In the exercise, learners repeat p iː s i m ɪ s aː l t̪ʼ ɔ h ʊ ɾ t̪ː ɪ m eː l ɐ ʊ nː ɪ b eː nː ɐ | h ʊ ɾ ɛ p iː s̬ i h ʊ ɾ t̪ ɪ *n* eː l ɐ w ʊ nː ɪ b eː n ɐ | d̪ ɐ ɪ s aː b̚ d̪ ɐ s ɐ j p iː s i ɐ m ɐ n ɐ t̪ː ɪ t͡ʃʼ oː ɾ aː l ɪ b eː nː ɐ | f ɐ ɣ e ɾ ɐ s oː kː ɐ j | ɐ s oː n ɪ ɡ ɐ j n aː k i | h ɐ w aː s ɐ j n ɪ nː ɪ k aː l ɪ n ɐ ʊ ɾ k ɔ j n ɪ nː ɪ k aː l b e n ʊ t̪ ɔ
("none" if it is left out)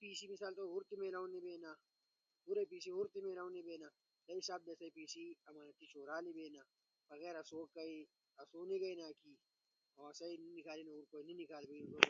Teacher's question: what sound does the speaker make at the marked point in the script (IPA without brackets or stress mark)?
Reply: m